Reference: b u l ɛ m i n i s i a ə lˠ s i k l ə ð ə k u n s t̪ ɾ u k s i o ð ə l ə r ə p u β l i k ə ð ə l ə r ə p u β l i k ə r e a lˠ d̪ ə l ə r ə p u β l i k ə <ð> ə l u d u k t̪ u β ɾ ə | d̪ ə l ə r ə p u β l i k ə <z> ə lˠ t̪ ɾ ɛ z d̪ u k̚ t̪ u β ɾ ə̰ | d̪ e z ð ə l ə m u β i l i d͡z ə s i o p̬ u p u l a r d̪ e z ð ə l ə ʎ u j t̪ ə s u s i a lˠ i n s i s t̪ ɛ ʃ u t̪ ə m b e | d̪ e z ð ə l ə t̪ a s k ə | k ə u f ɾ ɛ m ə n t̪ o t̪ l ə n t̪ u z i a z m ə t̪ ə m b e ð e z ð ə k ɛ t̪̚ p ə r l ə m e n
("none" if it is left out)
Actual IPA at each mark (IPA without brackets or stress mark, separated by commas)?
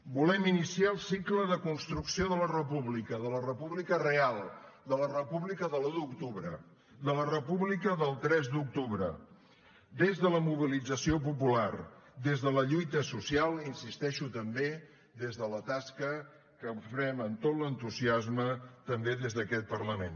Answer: ð, ð